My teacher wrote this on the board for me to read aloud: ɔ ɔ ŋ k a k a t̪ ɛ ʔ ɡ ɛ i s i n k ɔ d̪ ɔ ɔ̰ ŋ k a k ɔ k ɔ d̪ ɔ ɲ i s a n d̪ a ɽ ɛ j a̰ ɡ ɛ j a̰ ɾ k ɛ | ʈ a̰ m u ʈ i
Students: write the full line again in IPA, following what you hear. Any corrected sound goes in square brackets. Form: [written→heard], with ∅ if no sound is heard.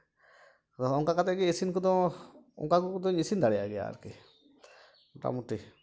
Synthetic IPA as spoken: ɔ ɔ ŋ k a k a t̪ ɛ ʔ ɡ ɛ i s i n k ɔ d̪ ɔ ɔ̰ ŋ k a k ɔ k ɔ d̪ ɔ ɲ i s [a→i] n d̪ a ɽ ɛ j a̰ ɡ ɛ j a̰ ɾ k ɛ | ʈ a̰ m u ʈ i